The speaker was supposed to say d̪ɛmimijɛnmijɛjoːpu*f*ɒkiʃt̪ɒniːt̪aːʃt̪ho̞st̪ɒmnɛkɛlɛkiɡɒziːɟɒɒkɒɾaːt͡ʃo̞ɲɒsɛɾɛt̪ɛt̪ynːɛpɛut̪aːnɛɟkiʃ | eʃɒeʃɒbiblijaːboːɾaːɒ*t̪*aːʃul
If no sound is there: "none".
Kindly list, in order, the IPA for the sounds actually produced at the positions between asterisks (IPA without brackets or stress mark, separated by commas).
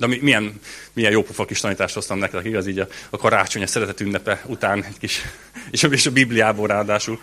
f, d̪